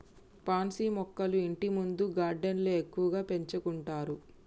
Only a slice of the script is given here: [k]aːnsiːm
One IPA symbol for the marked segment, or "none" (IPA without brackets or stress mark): p